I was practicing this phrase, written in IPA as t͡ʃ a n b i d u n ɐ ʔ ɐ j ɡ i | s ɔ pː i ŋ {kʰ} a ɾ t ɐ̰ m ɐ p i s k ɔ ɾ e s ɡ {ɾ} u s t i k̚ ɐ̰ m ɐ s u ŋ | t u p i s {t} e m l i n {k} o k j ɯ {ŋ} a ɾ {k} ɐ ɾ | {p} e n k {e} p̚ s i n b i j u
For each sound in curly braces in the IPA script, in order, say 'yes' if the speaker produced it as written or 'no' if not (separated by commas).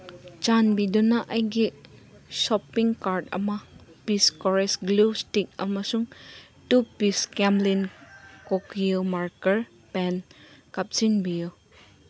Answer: no, no, no, yes, no, yes, yes, no